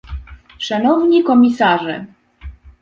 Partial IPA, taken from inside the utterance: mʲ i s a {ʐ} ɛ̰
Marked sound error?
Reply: no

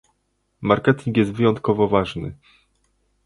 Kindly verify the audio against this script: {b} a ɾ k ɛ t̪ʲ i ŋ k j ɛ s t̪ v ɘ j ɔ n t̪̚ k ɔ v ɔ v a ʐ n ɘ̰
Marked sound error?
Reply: yes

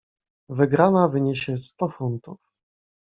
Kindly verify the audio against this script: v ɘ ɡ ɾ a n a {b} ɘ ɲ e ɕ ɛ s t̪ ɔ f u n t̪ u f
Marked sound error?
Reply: yes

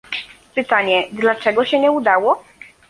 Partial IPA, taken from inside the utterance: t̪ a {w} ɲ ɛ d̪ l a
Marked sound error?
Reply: yes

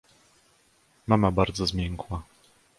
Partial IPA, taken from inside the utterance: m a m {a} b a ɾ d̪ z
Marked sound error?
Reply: no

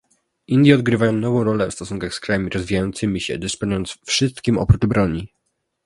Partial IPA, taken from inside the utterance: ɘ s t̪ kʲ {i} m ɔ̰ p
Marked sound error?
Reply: no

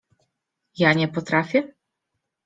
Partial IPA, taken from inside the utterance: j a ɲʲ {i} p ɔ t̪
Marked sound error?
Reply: yes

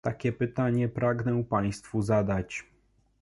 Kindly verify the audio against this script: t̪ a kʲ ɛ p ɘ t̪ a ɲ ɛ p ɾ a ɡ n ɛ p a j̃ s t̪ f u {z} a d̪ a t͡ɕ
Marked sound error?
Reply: no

